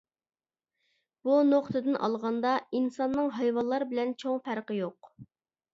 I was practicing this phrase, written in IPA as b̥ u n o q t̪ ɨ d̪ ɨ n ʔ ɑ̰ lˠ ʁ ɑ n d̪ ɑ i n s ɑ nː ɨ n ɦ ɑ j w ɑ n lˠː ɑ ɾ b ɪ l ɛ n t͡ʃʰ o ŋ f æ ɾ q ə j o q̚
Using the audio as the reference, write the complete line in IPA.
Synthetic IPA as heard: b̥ u n o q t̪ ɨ d̪ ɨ n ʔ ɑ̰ lˠ ʁ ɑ n d̪ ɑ i n s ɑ nː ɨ ŋ ɦ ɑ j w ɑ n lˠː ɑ ɾ b ɪ l ɛ n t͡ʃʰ o ŋ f æ ɾ q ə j o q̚